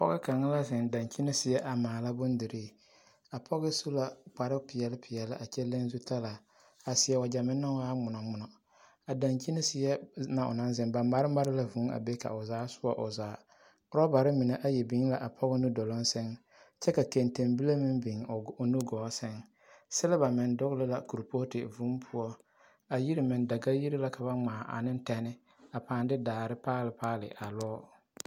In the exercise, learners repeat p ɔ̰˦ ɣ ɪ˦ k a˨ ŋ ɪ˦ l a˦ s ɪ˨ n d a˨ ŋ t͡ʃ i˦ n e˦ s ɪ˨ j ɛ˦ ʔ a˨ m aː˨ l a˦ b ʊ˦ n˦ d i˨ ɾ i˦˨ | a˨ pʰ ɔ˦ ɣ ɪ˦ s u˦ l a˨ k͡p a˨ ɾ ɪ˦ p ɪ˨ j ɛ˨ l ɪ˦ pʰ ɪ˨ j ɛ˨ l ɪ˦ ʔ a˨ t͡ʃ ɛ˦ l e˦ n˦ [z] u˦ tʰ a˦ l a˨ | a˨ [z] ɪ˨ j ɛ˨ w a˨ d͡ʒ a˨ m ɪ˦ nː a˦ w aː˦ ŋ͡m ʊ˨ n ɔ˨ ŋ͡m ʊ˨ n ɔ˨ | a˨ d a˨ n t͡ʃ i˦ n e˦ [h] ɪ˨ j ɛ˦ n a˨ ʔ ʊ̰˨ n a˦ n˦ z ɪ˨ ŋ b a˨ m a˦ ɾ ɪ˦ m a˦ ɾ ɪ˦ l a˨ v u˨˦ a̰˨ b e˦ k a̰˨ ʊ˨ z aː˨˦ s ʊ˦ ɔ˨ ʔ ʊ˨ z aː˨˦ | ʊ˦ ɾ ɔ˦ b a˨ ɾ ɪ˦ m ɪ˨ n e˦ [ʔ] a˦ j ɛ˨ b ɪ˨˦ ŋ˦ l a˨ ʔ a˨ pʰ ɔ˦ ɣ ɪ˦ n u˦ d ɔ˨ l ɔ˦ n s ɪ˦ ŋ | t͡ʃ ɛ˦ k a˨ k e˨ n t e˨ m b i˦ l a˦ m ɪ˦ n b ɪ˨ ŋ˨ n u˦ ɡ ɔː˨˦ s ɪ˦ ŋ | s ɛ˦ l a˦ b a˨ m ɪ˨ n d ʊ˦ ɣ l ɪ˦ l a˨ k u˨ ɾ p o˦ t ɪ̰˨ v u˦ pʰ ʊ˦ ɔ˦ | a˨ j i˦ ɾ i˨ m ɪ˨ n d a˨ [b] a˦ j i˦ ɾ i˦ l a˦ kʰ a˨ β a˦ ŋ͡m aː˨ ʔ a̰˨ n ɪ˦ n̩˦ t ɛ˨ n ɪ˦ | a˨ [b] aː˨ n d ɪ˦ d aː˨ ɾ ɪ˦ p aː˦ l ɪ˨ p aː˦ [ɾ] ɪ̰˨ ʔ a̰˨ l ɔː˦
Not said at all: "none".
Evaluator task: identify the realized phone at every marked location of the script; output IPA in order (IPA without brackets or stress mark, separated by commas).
z, s, s, ʔ, ɡ, p, l